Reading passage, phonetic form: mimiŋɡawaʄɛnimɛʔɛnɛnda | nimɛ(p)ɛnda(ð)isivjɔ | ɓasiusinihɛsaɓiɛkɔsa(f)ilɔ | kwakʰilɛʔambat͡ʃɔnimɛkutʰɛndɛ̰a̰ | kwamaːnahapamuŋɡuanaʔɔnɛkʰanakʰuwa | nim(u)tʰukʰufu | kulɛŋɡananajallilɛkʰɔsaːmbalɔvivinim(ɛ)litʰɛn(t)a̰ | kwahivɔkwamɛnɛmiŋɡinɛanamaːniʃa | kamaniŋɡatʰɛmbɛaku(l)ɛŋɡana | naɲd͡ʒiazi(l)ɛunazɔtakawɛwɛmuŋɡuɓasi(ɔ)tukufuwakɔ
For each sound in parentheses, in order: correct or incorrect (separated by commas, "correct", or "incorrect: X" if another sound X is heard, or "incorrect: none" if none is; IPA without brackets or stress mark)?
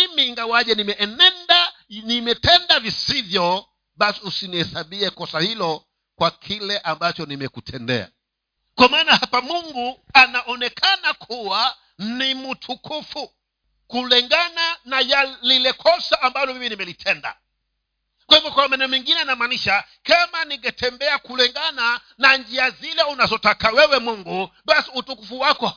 incorrect: t, incorrect: v, incorrect: h, correct, correct, incorrect: d, correct, correct, incorrect: u